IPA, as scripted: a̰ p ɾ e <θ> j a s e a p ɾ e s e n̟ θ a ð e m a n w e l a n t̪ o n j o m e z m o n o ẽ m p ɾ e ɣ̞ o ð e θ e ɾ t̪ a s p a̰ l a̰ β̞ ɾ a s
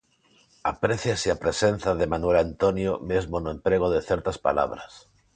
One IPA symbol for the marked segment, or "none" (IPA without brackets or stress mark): θ